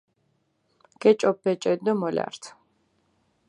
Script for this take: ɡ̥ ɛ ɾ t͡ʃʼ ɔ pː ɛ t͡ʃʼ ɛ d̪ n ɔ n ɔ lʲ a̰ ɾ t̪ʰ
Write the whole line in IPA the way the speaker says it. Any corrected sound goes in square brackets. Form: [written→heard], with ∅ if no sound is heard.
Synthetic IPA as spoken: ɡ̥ ɛ [ɾ→∅] t͡ʃʼ ɔ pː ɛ t͡ʃʼ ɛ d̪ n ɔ [n→m] ɔ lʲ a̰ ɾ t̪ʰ

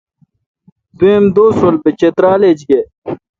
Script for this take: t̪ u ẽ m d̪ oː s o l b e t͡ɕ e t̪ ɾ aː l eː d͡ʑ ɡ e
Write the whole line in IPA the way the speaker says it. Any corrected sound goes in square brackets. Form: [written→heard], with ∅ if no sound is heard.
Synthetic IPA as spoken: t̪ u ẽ m d̪ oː s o l b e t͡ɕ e t̪ ɾ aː l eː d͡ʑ ɡ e

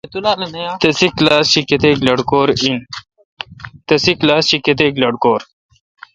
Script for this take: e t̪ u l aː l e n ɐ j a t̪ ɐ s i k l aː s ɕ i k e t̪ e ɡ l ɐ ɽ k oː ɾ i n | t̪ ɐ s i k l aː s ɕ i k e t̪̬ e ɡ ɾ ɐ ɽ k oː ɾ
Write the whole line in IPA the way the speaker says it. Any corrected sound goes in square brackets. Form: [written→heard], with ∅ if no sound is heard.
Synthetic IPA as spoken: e t̪ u l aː l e n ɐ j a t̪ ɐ s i k l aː s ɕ i k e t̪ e ɡ l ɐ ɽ k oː ɾ i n | t̪ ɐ s i k l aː s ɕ i k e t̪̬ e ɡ [ɾ→l] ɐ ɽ k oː ɾ

